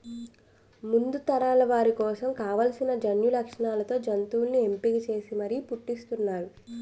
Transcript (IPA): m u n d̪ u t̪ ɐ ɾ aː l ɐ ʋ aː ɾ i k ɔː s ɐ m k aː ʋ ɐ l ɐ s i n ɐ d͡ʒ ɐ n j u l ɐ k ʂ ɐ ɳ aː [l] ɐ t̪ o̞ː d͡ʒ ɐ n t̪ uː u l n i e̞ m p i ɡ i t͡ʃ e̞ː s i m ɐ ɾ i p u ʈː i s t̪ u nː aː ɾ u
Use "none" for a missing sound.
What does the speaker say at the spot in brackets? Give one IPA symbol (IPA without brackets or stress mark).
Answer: l